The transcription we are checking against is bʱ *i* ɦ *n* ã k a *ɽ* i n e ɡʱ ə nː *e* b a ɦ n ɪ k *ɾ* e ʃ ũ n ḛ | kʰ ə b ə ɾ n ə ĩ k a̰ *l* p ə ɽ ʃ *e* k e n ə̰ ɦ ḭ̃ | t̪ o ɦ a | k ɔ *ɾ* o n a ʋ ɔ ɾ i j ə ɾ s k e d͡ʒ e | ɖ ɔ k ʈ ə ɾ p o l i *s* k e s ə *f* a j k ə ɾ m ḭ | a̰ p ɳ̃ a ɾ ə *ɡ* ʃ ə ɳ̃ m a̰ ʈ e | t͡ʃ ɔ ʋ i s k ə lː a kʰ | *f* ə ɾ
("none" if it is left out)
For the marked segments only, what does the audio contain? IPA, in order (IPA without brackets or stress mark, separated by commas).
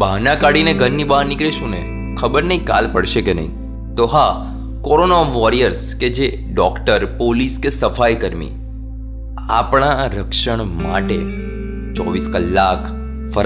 a, n, ɽ, i, ɭ, l, e, ɾ, s, f, k, f